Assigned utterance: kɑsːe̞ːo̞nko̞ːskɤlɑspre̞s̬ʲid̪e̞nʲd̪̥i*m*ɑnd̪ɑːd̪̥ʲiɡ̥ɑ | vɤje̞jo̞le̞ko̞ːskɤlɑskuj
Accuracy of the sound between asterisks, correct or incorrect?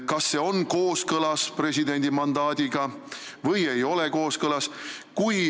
correct